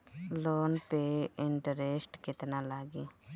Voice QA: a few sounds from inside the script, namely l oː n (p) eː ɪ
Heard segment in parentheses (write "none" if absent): p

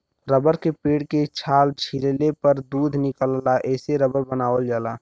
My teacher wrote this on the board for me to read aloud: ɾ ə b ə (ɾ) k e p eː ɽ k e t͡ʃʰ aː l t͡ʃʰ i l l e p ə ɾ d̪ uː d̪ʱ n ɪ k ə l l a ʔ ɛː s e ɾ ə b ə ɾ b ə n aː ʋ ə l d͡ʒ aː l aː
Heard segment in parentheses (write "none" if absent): ɾ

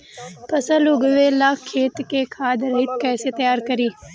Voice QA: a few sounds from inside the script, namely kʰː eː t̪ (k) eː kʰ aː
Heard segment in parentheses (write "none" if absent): k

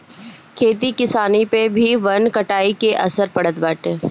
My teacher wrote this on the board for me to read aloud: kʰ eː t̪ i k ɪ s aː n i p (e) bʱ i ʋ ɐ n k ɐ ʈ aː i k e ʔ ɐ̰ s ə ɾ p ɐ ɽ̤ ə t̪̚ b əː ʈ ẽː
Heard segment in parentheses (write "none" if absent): e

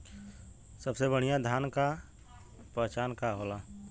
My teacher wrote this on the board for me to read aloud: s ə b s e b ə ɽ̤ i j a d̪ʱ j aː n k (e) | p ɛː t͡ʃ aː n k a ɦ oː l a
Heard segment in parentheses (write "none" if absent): a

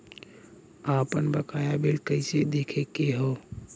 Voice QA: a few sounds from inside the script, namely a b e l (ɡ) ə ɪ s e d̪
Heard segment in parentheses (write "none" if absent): k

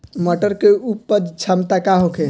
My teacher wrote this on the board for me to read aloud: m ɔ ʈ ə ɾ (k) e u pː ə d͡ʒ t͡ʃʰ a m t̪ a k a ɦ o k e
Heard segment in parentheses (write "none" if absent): k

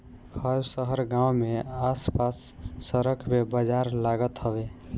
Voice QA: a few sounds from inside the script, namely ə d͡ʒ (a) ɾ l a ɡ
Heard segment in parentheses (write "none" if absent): a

